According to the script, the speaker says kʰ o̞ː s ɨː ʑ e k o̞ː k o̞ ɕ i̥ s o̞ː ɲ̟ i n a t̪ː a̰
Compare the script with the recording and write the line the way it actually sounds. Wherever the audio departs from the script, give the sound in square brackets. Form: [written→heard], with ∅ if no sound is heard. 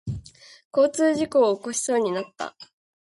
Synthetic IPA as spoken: [kʰ→k] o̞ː [s→t͡s] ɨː ʑ [e→i] k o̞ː k o̞ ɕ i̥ s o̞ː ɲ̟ i n a t̪ː a̰

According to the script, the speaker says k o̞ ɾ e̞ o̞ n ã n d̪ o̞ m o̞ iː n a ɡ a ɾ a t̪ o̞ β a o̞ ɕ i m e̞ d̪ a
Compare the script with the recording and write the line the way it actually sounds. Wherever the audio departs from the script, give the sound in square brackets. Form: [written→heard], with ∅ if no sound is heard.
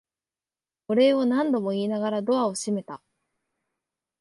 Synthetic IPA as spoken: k o̞ ɾ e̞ o̞ n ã n d̪ o̞ m o̞ iː n a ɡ a ɾ a [t̪→d̪] o̞ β a o̞ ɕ i m e̞ [d̪→t̪] a

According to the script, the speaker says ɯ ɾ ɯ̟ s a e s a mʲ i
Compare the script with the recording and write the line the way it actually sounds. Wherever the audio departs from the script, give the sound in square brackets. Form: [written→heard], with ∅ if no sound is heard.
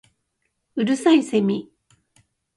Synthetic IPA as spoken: ɯ ɾ ɯ̟ s a [e→i] s [a→e] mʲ i

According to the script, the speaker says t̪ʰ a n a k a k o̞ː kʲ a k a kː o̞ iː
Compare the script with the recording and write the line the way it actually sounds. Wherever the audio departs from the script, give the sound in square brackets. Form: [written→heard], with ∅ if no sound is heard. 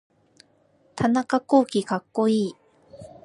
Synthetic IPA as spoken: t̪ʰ a n a k a k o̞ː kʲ [a→i] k a kː o̞ iː

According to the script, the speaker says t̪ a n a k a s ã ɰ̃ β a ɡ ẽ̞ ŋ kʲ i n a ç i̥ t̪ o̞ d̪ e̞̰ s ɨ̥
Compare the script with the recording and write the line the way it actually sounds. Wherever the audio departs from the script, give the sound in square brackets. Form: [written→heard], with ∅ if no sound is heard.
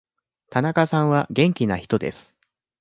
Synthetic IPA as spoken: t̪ a n a k a s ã ɰ̃ β a ɡ ẽ̞ ŋ kʲ i n a ç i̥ t̪ o̞ d̪ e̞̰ s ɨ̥

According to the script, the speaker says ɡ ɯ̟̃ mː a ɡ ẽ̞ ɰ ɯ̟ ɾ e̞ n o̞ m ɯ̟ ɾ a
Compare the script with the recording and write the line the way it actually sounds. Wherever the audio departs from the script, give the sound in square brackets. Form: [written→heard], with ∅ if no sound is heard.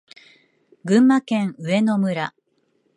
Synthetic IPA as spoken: ɡ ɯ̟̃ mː a [ɡ→k] ẽ̞ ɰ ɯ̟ [ɾ→∅] e̞ n o̞ m ɯ̟ ɾ a

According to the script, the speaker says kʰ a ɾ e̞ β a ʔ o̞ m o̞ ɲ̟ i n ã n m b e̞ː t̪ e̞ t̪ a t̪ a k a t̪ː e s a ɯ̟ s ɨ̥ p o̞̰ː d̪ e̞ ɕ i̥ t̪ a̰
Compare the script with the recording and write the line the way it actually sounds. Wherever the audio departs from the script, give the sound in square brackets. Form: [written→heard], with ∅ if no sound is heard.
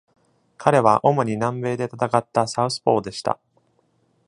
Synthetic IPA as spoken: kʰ a ɾ e̞ β a ʔ o̞ m o̞ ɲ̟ i n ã [n→∅] m b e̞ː [t̪→d̪] e̞ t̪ a t̪ a k a t̪ː [e→a] s a ɯ̟ s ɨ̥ p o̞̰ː d̪ e̞ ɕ i̥ t̪ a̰

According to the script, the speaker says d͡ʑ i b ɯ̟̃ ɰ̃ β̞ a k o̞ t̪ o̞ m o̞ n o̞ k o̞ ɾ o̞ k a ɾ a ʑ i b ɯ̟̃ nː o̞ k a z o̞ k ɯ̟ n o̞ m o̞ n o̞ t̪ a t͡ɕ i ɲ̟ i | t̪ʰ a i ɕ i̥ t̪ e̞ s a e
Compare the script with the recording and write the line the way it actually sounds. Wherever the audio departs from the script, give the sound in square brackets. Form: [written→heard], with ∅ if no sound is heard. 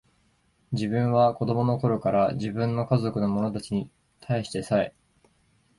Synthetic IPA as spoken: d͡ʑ i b ɯ̟̃ ɰ̃ β̞ a k o̞ [t̪→d̪] o̞ m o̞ n o̞ k o̞ ɾ o̞ k a ɾ a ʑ i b ɯ̟̃ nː o̞ k a z o̞ k ɯ̟ n o̞ m o̞ n o̞ t̪ a t͡ɕ i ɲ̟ i | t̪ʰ a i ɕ i̥ t̪ e̞ s a e

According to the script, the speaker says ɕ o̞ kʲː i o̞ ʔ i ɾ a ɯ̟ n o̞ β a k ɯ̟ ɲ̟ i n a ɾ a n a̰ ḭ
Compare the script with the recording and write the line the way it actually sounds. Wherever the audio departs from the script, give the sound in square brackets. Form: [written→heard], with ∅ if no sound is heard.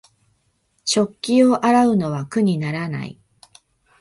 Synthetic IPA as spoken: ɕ o̞ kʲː i o̞ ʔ [i→a] ɾ a ɯ̟ n o̞ β a k ɯ̟ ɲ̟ i n a ɾ a n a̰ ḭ

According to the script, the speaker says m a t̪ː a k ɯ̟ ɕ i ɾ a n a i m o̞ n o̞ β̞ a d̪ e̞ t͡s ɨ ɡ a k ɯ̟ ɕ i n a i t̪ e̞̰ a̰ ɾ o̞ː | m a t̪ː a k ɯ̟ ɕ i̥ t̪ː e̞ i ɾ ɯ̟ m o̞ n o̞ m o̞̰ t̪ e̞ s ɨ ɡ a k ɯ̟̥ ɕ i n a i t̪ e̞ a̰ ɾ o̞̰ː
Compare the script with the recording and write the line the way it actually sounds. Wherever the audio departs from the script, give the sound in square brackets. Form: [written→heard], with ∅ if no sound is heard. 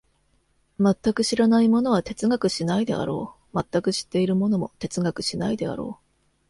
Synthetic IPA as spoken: m a t̪ː a k ɯ̟ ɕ i ɾ a n a i m o̞ n o̞ β̞ a [d̪→t̪] e̞ t͡s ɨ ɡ a k ɯ̟ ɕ i n a i [t̪→d̪] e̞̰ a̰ ɾ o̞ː | m a t̪ː a k ɯ̟ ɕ i̥ t̪ː e̞ i ɾ ɯ̟ m o̞ n o̞ m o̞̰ t̪ e̞ [s→t͡s] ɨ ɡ a k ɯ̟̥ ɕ i n a i [t̪→d̪] e̞ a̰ ɾ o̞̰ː

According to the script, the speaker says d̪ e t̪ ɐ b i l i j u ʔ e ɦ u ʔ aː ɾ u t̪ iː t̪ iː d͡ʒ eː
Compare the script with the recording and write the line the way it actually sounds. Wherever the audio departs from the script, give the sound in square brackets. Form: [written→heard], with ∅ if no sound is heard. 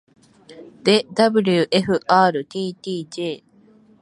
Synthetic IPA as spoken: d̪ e [t̪→d̪] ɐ b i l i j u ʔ e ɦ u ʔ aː ɾ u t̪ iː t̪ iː d͡ʒ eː

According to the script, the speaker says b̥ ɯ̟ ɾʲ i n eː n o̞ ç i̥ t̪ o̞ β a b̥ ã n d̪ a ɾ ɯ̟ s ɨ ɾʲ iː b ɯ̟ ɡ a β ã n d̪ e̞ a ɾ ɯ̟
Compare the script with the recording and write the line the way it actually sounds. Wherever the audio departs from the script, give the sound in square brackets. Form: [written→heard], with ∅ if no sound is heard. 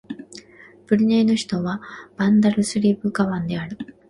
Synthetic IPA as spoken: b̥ ɯ̟ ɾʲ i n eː n o̞ ç i̥ t̪ o̞ β a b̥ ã n d̪ a ɾ ɯ̟ s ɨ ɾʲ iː b ɯ̟ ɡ a β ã n d̪ e̞ a ɾ ɯ̟

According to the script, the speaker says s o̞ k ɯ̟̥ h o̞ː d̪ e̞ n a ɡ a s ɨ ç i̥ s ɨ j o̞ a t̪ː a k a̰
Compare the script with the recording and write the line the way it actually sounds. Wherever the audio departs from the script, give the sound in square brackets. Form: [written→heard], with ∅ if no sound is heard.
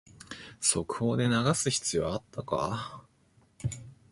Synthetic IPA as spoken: s o̞ k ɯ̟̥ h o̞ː d̪ e̞ n a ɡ a s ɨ ç i̥ [s→t͡s] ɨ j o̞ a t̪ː a k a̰

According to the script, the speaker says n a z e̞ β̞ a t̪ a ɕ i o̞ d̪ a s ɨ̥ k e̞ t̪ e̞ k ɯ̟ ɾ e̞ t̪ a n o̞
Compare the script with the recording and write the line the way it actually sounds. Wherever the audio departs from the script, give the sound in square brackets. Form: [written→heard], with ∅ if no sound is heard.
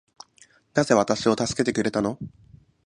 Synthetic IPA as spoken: n a z e̞ β̞ a t̪ a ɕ i o̞ [d̪→t̪] a s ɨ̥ k e̞ t̪ e̞ k ɯ̟ ɾ e̞ t̪ a n o̞

